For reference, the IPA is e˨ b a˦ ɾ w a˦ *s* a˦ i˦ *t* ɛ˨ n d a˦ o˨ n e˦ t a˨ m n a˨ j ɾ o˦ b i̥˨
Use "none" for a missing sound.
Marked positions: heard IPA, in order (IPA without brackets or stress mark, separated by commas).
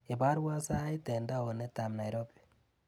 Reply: s, t